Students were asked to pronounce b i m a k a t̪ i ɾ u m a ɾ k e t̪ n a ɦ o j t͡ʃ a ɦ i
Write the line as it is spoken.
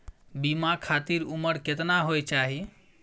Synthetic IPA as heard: b i m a kʰ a t̪ i ɾ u m ə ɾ k e t̪ n a ɦ o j t͡ʃ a ɦ i

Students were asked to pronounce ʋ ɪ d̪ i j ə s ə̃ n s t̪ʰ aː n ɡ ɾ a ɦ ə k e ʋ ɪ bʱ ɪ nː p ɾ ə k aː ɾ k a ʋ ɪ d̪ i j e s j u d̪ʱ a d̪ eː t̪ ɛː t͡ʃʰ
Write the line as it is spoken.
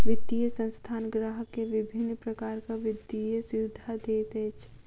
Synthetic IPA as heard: ʋ ɪ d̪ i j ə s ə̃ n s t̪ʰ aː n ɡ ɾ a ɦ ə k e ʋ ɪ bʱ ɪ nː p ɾ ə k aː ɾ k a ʋ ɪ d̪ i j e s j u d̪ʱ a d̪ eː t̪ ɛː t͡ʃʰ

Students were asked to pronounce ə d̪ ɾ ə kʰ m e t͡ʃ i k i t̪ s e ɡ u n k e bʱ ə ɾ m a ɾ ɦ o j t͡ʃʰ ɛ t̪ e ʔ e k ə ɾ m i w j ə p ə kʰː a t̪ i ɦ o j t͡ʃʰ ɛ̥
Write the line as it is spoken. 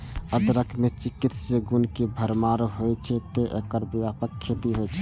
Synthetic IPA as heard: ə d̪ ɾ ə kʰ m e t͡ʃ i k i t̪ s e ɡ u n k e bʱ ə ɾ m a ɾ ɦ o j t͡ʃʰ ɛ t̪ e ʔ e k ə ɾ b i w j a p ə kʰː e t̪ i ɦ o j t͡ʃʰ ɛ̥

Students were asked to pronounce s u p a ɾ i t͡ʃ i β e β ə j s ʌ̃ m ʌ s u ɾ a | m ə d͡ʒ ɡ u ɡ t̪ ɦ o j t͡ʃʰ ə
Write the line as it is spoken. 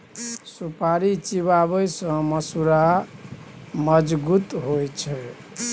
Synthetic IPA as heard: s u p a ɾ i t͡ʃ i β a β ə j s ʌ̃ m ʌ s u ɾ a | m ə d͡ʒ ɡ u t̪ ɦ o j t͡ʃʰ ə

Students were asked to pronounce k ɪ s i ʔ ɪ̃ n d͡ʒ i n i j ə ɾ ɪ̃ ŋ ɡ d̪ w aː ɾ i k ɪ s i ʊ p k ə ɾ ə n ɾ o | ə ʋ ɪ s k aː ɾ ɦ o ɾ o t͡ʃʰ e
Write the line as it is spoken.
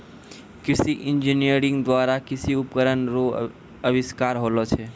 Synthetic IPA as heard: k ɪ s i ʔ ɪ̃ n d͡ʒ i n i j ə ɾ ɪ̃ ŋ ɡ d̪ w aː ɾ a k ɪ s i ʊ p k ə ɾ ə n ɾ o | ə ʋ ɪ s k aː ɾ ɦ o l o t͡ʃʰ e

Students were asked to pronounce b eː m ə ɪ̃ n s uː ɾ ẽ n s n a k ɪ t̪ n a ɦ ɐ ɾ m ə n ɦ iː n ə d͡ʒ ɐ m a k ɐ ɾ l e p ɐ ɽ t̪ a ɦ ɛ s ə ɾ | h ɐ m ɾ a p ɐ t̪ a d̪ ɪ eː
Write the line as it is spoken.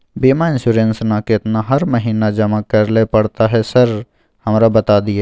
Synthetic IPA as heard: b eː m a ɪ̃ n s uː ɾ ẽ n s n a k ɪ t̪ n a ɦ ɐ ɾ m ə ɦ iː n a d͡ʒ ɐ m a k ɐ ɾ l e p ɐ ɽ t̪ a ɦ ɛ s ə ɾ | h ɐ m ɾ a b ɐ t̪ a d̪ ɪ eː

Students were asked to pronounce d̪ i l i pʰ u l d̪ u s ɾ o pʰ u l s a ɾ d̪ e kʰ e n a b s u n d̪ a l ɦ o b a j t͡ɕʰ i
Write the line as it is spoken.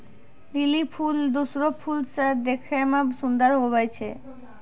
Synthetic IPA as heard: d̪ i l i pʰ u l d̪ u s ɾ o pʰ u l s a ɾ d̪ e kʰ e m a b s u n d̪ a ɾ ɦ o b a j t͡ɕʰ e

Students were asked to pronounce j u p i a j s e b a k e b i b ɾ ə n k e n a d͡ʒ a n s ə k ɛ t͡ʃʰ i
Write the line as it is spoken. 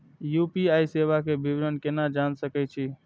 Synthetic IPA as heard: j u p i a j s e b a k e b i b ɾ ə n k e n a d͡ʒ a n s ə k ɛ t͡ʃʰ i

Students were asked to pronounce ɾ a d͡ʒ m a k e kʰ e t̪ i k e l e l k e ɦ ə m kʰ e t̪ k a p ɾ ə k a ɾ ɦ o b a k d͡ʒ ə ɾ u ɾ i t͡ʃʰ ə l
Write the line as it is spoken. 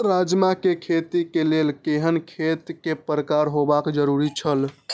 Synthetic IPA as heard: ɾ a d͡ʒ m a k e kʰ e t̪ i k e l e l k e ɦ ə n kʰ e t̪ k e p ɾ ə k a ɾ ɦ o b a k d͡ʒ ə ɾ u ɾ i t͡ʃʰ ə l

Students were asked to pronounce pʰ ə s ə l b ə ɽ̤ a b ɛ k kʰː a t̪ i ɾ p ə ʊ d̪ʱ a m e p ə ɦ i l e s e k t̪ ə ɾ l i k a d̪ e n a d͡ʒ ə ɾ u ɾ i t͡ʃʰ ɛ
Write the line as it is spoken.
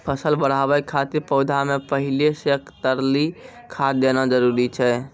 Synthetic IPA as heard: pʰ ə s ə l b ə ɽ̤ a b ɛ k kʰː a t̪ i ɾ p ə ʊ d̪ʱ a m e p ə ɦ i l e s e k t̪ ə ɾ l i kʰ a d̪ e n a d͡ʒ ə ɾ u ɾ i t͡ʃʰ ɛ

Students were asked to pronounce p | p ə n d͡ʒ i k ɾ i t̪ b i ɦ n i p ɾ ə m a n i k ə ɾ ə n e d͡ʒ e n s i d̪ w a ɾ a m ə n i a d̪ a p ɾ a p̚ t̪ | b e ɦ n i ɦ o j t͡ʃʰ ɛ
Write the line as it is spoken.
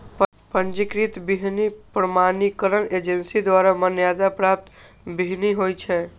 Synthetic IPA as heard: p | p ə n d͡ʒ i k ɾ i t̪ b i ɦ n i p ɾ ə m a n i k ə ɾ ə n e d͡ʒ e n s i d̪ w a ɾ a m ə n j a d̪ a p ɾ a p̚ t̪ | b i ɦ n i ɦ o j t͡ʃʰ ɛ

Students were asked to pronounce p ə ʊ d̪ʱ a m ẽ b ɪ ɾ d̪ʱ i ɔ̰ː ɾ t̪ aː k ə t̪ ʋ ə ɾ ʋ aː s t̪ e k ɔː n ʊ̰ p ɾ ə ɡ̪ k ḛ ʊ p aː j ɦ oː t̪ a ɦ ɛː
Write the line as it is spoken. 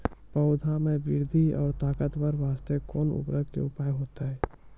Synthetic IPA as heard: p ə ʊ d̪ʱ a m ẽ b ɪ ɾ d̪ʱ i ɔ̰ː ɾ t̪ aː k ə t̪ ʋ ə ɾ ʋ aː s t̪ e k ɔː n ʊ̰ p ɾ ə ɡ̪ k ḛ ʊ p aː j ɦ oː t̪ a ɦ ɛː

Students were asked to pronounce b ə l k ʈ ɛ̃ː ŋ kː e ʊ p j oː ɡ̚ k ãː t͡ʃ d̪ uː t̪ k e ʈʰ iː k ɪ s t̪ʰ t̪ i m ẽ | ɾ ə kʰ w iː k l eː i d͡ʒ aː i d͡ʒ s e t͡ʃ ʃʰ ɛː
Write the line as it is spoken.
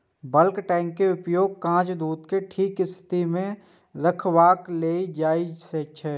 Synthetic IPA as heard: b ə l k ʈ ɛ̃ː ŋ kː e ʊ p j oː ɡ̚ k ãː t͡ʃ d̪ uː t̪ k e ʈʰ iː k ɪ s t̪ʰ t̪ i m ẽ | ɾ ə kʰ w aː k l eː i d͡ʒ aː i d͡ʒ s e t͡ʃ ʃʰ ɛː

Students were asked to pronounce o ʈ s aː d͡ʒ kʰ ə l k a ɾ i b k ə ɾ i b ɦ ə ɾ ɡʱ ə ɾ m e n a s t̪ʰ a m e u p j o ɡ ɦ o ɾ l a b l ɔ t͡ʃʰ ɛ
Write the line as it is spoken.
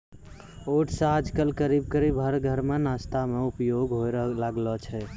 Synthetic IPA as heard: o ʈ s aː d͡ʒ k ə l k ə ɾ i b k ə ɾ i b ɦ ə ɾ ɡʱ ə ɾ m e n a s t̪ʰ a m e u p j o ɡ ɦ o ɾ l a ɡ l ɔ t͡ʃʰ ɛ

